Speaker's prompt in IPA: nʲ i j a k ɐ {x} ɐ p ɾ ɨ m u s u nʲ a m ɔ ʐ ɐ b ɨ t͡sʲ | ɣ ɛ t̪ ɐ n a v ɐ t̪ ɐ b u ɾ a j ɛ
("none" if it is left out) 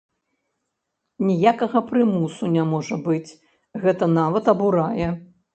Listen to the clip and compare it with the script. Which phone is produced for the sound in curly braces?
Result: ɣ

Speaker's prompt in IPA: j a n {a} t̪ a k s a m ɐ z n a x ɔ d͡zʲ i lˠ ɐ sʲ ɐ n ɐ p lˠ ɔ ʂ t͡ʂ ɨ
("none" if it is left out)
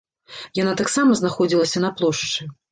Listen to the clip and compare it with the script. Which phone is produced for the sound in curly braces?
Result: a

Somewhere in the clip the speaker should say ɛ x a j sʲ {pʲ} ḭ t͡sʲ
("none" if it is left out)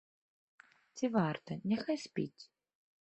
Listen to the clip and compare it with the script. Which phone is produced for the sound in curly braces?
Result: pʲ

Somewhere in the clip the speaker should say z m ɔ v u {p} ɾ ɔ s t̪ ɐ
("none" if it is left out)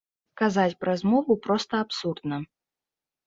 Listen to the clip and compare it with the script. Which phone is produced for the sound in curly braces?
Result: p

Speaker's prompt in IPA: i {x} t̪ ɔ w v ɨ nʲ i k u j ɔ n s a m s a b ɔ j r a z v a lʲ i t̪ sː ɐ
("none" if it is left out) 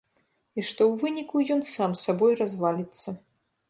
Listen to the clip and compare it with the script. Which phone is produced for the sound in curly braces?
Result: ʂ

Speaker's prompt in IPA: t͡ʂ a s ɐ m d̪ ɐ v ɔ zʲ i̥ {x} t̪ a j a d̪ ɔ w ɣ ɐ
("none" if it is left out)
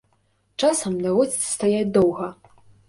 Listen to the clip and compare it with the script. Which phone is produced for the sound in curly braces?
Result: s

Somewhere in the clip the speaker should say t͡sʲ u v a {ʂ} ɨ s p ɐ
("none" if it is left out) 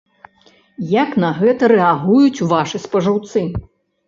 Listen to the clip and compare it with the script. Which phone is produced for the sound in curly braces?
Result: ʂ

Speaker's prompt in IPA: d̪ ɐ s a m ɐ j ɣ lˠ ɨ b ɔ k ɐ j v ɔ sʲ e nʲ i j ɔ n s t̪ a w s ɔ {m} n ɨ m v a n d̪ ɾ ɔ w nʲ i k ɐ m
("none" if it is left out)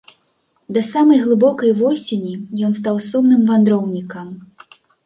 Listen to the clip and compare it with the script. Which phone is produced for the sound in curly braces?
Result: m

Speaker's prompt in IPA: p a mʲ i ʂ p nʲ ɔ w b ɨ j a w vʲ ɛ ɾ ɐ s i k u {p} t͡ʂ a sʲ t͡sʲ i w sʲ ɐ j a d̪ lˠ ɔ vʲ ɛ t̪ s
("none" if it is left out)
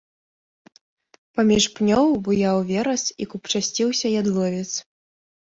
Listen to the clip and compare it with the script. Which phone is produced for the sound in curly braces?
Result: p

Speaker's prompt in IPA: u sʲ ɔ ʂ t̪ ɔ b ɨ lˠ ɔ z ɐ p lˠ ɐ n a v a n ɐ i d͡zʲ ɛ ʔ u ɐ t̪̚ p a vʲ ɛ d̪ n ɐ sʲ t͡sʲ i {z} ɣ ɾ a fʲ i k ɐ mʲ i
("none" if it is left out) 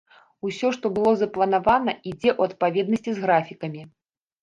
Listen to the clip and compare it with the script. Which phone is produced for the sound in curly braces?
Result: z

